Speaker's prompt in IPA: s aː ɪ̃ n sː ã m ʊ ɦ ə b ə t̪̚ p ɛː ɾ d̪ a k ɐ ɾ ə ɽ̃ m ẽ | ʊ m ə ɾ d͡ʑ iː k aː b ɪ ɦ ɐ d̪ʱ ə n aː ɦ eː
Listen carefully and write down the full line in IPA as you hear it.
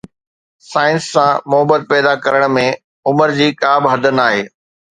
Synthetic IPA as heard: s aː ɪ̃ n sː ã m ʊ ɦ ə b ə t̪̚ p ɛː d̪ a k ɐ ɾ ə ɽ̃ m ẽ | ʊ m ə ɾ d͡ʑ iː k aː b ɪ ɦ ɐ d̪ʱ ə n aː ɦ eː